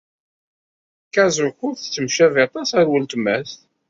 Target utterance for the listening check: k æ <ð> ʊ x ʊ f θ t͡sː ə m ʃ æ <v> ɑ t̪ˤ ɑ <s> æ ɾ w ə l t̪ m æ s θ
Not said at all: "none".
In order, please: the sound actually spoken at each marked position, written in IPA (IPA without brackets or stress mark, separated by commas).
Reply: z, v, s